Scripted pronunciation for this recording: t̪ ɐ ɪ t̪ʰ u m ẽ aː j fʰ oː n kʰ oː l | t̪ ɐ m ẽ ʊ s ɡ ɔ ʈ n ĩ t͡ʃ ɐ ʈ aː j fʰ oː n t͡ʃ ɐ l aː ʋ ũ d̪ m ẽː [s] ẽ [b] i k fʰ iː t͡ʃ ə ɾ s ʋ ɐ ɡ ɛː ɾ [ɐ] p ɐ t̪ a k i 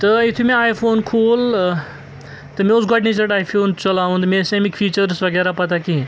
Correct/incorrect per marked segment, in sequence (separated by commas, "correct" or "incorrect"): correct, incorrect, incorrect